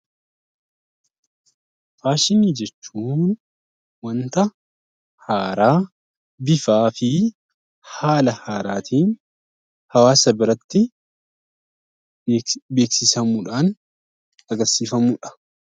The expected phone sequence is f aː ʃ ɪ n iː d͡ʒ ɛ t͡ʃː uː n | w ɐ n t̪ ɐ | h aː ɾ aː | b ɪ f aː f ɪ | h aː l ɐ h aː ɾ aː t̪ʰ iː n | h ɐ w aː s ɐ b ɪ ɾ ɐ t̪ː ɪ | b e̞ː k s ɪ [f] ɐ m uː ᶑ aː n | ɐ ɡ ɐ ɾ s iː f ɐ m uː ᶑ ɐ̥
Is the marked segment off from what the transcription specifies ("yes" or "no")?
yes